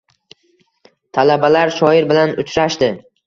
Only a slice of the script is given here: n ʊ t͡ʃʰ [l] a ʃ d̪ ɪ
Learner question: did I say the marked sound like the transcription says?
no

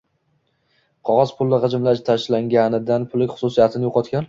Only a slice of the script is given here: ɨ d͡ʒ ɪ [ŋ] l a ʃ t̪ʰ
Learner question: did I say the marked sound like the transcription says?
no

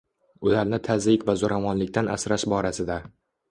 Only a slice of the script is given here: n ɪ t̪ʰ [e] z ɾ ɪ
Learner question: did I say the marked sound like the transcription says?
no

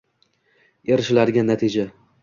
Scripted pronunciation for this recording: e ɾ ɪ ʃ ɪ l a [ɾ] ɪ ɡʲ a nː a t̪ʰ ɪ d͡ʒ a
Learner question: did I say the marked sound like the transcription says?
yes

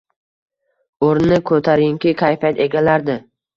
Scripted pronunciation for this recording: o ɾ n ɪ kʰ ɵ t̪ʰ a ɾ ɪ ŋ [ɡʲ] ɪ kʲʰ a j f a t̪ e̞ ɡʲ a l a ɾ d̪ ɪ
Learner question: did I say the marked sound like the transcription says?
no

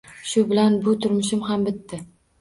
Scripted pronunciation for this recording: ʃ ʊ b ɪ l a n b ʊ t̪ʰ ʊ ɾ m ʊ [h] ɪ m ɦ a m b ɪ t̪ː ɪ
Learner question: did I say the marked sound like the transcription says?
no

